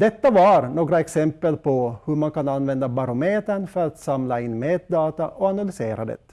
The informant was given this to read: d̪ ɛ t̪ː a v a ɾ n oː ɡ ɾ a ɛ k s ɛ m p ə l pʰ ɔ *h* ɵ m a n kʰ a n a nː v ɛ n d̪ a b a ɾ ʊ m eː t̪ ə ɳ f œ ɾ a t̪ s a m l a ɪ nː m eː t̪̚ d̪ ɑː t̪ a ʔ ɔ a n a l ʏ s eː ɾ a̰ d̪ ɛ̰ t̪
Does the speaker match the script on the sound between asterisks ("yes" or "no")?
yes